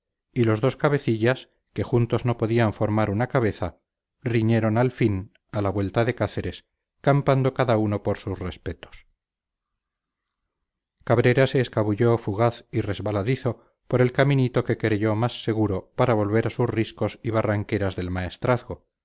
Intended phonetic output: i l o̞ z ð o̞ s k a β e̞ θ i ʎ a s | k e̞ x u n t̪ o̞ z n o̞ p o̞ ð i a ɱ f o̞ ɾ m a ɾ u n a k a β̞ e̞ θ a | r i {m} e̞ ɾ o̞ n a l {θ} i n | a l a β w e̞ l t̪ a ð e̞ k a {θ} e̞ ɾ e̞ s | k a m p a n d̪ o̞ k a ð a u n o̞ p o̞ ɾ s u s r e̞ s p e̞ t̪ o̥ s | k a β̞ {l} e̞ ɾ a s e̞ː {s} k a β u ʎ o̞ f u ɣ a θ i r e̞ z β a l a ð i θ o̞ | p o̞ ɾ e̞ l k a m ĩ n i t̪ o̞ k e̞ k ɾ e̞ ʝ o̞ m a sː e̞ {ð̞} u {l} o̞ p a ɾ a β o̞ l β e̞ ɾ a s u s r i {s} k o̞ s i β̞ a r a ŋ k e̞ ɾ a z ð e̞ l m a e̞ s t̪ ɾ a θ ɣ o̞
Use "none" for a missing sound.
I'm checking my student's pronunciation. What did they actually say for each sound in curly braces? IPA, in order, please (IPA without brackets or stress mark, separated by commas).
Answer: ɲ, f, θ, ɾ, s, ɣ̞, ɾ, s